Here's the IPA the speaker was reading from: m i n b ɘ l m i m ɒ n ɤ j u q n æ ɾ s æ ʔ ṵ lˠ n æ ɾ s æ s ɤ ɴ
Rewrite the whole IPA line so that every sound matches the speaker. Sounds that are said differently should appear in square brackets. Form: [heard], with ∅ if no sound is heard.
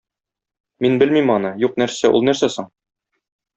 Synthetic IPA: m i n b ɘ l m i m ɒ n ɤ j u q n æ ɾ s æ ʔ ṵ lˠ n æ ɾ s æ s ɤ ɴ